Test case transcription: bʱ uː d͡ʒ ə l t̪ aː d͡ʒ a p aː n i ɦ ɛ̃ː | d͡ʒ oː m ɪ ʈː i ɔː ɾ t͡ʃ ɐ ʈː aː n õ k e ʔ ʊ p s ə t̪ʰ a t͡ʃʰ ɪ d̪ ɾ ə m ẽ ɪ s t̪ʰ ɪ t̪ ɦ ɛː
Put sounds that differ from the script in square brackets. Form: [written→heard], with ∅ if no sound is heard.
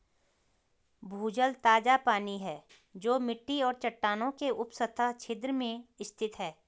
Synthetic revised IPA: bʱ uː d͡ʒ ə l t̪ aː d͡ʒ a p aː n i ɦ [ɛ̃ː→ɛː] | d͡ʒ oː m ɪ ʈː i ɔː ɾ t͡ʃ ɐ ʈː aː n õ k e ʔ ʊ p s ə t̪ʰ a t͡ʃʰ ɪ d̪ ɾ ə m ẽ ɪ s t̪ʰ ɪ t̪ ɦ ɛː